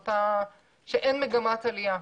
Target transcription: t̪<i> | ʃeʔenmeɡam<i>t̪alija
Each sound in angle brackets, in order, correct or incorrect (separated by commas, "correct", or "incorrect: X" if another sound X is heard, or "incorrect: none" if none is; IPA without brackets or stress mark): incorrect: a, incorrect: a